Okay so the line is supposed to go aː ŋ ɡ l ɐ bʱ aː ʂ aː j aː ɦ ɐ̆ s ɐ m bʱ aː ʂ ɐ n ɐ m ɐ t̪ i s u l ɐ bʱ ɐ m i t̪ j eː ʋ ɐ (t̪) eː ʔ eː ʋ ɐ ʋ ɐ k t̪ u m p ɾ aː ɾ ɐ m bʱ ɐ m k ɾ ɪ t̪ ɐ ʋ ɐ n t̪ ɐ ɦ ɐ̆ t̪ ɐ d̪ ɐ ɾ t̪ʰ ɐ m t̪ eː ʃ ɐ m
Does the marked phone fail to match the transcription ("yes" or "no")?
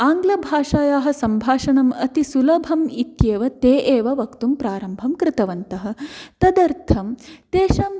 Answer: no